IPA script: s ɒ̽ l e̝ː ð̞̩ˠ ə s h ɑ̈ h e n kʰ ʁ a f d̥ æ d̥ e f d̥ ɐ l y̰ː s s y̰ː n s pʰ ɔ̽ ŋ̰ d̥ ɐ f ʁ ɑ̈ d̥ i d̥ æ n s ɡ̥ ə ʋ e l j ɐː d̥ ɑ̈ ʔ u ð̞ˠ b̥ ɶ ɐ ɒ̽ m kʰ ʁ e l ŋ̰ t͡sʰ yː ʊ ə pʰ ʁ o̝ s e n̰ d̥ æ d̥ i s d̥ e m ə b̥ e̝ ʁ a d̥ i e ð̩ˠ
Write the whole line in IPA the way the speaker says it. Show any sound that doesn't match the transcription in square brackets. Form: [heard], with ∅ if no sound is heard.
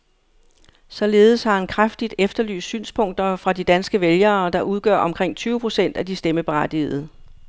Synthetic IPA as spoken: s ɒ̽ l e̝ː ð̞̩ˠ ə s h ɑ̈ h [æ] n kʰ ʁ a f d̥ [i] d̥ e f d̥ ɐ l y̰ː s s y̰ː n s pʰ ɔ̽ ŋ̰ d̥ ɐ f ʁ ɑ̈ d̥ i d̥ æ n s ɡ̥ ə ʋ e l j ɐː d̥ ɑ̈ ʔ u ð̞ˠ [ɡ̥] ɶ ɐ ɒ̽ m kʰ ʁ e [∅] ŋ̰ t͡sʰ yː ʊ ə pʰ ʁ o̝ s e n̰ d̥ æ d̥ i s d̥ e m ə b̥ e̝ ʁ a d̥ i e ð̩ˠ